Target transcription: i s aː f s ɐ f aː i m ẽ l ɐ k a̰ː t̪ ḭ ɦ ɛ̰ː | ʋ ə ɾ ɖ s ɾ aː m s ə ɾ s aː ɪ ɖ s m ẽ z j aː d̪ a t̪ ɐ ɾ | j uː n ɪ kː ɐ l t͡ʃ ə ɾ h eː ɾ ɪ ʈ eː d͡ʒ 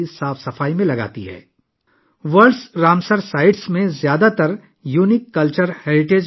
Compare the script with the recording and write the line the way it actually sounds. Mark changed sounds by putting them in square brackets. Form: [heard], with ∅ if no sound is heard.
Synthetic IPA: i s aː f s ɐ f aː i m ẽ l ɐ [ɡ] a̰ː t̪ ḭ ɦ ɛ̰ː | ʋ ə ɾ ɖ s ɾ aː m s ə ɾ s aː ɪ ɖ s m ẽ z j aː d̪ a t̪ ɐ ɾ | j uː n ɪ kː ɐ l t͡ʃ ə ɾ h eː ɾ ɪ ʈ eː d͡ʒ